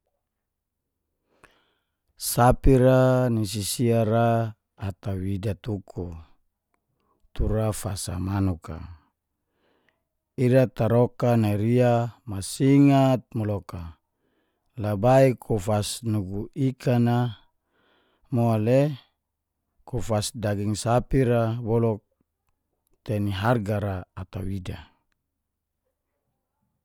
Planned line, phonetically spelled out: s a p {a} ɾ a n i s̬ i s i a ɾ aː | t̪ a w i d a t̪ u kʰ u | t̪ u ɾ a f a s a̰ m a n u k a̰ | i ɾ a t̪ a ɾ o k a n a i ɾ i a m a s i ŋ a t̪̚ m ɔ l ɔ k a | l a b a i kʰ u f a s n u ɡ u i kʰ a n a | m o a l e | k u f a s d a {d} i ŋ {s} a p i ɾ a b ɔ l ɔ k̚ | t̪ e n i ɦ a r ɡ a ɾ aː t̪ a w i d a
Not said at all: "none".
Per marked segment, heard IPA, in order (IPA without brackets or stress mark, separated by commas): i, ɡ, s